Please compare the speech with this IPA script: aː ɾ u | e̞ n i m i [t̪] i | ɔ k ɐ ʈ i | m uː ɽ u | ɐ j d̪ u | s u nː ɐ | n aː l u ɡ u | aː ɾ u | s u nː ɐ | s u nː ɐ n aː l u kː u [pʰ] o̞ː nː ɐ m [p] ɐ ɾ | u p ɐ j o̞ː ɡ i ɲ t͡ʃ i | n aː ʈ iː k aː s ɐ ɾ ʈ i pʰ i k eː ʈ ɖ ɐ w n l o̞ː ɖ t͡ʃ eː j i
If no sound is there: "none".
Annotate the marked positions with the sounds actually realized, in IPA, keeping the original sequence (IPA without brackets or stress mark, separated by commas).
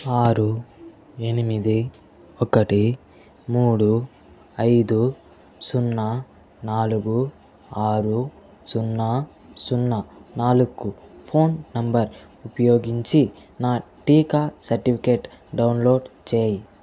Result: d̪, pʰ, b